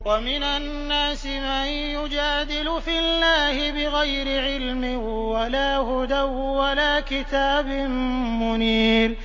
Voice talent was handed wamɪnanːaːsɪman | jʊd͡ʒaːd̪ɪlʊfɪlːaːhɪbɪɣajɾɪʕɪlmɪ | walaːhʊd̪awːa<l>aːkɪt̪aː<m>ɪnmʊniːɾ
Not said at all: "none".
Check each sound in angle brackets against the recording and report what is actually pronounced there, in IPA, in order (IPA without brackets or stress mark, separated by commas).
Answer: l, b